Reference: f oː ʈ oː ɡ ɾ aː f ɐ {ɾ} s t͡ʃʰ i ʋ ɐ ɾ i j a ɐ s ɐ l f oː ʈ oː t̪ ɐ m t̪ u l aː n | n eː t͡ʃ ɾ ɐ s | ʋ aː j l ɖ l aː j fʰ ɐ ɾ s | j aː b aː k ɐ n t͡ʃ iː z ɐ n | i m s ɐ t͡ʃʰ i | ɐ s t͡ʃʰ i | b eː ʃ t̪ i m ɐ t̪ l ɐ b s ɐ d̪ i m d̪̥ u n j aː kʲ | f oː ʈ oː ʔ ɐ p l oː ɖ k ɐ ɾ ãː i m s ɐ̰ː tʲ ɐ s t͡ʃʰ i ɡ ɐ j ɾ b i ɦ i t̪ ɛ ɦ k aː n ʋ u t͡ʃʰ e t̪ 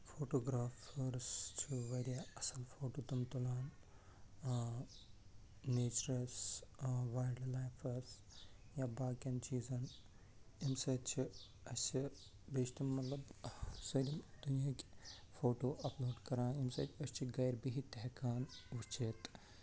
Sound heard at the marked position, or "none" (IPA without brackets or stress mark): ɾ